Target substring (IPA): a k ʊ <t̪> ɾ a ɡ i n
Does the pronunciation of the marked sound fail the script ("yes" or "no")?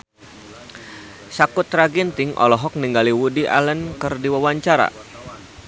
no